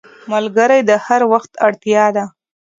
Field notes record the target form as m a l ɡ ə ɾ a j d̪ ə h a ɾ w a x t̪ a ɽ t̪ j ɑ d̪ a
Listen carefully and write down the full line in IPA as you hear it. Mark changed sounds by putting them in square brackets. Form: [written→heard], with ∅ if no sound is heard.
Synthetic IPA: m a l ɡ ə ɾ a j d̪ ə h a ɾ w a x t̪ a ɽ t̪ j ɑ d̪ a